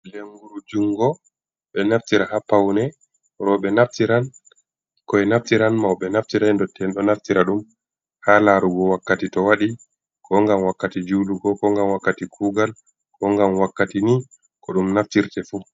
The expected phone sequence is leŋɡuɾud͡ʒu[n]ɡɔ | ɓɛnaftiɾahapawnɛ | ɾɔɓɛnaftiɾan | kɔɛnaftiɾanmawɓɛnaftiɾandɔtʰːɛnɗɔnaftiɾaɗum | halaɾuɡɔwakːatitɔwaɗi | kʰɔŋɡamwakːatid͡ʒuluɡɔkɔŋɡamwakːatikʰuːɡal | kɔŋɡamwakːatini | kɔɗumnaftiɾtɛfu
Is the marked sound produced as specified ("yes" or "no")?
no